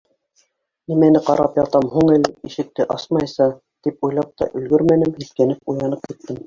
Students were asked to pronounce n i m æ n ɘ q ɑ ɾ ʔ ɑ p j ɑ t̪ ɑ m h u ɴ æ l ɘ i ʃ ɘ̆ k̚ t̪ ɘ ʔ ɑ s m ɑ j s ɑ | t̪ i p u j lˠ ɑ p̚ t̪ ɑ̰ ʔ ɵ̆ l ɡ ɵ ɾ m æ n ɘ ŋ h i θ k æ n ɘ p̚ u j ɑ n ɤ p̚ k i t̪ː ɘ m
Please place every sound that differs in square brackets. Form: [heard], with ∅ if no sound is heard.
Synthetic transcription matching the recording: n i m æ n ɘ q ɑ ɾ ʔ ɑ p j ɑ t̪ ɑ m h u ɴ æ l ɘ i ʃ ɘ̆ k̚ t̪ ɘ ʔ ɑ s m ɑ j s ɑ | t̪ i p u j lˠ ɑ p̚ t̪ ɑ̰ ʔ ɵ̆ l ɡ ɵ ɾ m æ n ɘ [m] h i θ k æ n ɘ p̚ u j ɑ n ɤ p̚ k i t̪ː ɘ m